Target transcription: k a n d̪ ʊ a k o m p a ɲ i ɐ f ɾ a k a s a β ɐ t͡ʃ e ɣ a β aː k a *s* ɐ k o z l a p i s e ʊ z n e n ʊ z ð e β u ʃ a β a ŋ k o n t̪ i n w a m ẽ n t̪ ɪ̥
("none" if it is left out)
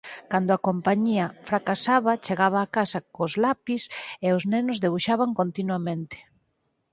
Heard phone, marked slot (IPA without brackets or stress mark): s